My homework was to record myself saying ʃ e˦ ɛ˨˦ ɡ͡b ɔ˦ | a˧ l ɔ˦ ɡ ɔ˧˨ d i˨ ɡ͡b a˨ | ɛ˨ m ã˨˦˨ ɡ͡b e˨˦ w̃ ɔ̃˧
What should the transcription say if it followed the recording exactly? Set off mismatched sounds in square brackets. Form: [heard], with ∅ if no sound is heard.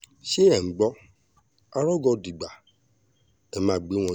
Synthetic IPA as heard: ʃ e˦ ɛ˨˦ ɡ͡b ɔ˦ | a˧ [ɾ] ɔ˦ ɡ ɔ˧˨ d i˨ ɡ͡b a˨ | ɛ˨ m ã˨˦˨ ɡ͡b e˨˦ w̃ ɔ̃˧